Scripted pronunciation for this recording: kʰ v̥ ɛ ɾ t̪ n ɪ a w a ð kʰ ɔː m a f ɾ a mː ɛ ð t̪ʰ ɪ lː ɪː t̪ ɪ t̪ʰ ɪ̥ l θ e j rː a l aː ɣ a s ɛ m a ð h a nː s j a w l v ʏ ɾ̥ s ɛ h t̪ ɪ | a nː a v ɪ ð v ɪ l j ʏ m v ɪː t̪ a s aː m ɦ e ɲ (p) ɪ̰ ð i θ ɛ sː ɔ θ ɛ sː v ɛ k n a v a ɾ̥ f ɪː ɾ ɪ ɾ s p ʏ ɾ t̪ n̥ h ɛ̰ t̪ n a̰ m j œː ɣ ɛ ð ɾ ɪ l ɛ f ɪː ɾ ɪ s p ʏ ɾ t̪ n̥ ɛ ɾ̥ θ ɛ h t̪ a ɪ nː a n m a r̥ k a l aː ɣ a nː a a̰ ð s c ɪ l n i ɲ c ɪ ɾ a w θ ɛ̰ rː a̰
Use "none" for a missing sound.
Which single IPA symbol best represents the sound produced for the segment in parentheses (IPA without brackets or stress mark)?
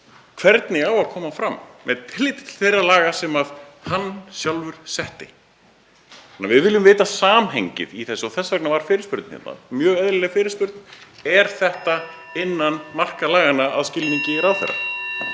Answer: c